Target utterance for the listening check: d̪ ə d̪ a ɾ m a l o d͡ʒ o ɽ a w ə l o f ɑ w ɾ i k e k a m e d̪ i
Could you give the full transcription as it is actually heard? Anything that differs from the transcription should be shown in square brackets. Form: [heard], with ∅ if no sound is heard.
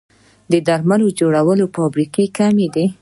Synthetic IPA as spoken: d̪ ə d̪ a ɾ m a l o d͡ʒ o ɽ a w ə l o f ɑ [b] ɾ i k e k a m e d̪ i